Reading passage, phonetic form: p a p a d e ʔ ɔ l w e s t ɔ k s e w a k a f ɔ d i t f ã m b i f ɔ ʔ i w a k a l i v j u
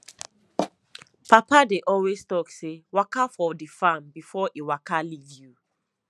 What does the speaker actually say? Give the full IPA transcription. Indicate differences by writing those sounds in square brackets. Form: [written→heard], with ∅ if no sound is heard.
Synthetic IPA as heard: p a p a d e ʔ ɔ l w e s t ɔ k s e w a k a f ɔ d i [t→∅] f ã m b i f ɔ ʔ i w a k a l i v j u